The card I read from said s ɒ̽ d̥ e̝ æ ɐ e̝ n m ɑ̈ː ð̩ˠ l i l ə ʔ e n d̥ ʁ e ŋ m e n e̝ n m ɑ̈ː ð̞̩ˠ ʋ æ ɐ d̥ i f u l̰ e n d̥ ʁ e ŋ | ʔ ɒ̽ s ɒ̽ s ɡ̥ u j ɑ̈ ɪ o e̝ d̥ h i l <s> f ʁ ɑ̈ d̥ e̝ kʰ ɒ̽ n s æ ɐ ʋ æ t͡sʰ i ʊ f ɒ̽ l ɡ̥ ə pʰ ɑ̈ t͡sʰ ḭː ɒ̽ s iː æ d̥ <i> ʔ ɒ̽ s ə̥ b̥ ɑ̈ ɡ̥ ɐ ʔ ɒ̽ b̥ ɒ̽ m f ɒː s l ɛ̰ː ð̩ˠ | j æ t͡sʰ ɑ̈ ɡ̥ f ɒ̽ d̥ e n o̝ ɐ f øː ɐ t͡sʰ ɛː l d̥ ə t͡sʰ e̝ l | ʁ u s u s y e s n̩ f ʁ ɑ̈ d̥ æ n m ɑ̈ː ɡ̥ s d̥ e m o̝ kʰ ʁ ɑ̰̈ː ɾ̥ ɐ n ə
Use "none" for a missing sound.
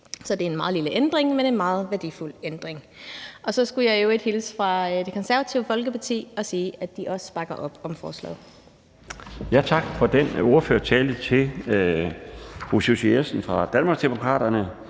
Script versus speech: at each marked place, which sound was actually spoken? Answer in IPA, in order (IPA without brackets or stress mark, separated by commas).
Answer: s, i